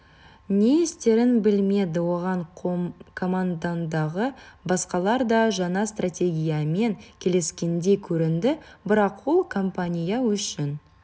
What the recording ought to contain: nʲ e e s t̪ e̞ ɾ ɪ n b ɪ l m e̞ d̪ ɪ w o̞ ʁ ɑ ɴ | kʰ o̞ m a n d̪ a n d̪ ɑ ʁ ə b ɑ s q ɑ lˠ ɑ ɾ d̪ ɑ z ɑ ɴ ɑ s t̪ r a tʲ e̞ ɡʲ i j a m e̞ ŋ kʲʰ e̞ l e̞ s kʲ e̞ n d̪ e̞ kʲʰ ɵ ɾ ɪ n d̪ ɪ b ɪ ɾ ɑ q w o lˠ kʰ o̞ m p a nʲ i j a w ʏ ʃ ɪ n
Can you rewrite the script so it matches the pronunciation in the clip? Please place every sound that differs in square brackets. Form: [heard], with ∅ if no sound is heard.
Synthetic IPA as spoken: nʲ e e s t̪ e̞ ɾ ɪ n b ɪ l m e̞ d̪ ɪ w o̞ ʁ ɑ ɴ | kʰ o̞ m a n d̪ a n d̪ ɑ ʁ ə b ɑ s q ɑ lˠ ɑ ɾ d̪ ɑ [ʒ] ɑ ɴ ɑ s t̪ r a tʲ e̞ ɡʲ i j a m e̞ ŋ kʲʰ e̞ l e̞ s kʲ e̞ n d̪ e̞ kʲʰ ɵ ɾ ɪ n d̪ ɪ b ɪ ɾ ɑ q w o lˠ kʰ o̞ m p a nʲ i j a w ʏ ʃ ɪ n